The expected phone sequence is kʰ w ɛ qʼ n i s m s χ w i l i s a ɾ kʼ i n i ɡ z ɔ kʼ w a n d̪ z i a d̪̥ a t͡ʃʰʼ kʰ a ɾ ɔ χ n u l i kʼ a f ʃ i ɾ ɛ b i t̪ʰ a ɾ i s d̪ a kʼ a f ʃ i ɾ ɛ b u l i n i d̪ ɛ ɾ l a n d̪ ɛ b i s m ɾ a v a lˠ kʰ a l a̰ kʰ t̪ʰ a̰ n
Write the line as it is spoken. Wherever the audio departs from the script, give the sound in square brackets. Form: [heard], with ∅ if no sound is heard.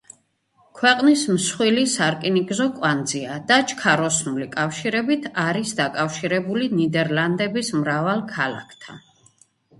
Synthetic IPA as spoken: kʰ w ɛ qʼ n i s m s χ w i l i s a ɾ kʼ i n i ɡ z ɔ kʼ w a n d̪ z i a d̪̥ a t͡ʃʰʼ kʰ a ɾ ɔ [s] n u l i kʼ a f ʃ i ɾ ɛ b i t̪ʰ a ɾ i s d̪ a kʼ a f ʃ i ɾ ɛ b u l i n i d̪ ɛ ɾ l a n d̪ ɛ b i s m ɾ a v a lˠ kʰ a l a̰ kʰ t̪ʰ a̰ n